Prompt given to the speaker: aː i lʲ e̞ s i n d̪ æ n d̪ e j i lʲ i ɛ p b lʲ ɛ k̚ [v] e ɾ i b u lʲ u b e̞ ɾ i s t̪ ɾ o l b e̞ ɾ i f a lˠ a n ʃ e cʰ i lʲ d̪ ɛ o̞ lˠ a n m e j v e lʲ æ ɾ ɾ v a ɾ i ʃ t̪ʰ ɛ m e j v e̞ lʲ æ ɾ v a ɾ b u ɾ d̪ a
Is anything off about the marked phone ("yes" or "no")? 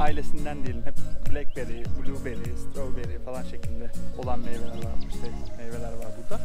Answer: yes